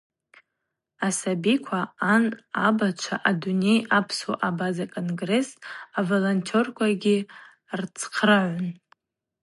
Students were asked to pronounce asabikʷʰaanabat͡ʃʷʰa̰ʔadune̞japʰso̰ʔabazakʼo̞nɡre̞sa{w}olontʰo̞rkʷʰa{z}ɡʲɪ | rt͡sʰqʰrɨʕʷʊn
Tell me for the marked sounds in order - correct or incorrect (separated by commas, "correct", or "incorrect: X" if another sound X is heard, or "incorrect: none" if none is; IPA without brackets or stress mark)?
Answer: incorrect: v, incorrect: none